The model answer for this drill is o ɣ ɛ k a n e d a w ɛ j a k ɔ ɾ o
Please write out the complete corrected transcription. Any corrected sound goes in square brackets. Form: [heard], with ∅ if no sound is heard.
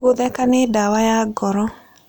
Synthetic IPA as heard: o [ð] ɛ k a n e d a w [a] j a [ɡ] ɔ ɾ [ɔ]